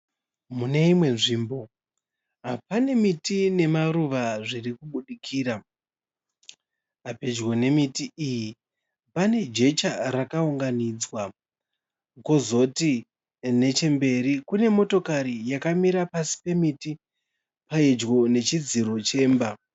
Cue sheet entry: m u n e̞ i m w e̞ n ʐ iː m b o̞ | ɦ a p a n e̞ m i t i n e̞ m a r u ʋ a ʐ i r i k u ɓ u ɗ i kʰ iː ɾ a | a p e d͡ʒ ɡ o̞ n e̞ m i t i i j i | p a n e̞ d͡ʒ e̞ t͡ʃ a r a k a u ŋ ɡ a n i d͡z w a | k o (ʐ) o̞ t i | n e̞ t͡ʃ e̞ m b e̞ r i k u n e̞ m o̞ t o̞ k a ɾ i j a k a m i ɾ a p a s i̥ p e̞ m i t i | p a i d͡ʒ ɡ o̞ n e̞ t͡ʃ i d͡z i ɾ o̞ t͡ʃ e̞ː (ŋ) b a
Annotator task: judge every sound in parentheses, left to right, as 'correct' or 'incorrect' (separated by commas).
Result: incorrect, incorrect